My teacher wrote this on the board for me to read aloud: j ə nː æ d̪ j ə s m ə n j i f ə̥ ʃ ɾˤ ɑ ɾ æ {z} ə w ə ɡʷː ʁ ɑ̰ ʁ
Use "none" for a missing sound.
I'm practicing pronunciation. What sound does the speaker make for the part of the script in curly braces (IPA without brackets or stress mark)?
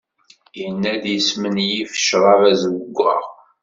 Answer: z